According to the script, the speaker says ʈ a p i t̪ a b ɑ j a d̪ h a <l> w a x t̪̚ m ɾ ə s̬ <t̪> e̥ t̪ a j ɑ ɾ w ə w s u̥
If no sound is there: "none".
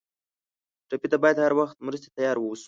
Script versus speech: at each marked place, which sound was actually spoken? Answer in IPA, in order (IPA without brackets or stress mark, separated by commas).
ɾ, t̪